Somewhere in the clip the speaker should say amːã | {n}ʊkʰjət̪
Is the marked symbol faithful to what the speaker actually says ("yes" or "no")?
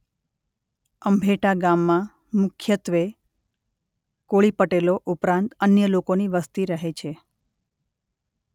no